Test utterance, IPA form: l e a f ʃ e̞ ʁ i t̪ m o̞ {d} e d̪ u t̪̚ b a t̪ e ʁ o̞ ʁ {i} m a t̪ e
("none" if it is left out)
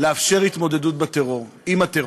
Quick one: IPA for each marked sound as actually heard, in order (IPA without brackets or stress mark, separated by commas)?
d, i